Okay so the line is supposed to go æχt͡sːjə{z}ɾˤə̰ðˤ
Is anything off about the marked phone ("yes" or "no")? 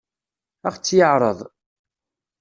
yes